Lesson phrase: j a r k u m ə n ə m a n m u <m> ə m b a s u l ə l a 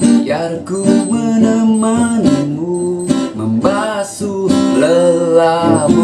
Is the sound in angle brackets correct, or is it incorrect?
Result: correct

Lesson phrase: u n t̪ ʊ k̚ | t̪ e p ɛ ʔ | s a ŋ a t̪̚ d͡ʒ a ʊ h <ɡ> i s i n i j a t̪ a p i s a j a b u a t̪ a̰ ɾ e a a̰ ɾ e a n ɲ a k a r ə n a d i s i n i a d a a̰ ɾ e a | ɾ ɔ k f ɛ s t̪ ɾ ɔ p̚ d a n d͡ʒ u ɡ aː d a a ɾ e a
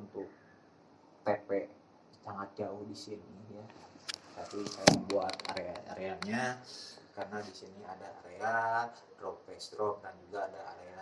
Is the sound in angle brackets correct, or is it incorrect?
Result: incorrect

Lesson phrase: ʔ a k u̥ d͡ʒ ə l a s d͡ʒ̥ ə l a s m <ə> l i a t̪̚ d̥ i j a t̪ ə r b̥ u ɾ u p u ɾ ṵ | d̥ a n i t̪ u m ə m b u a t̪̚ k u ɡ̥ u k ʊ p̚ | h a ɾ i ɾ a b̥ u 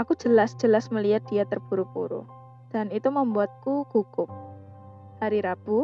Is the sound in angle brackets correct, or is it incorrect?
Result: correct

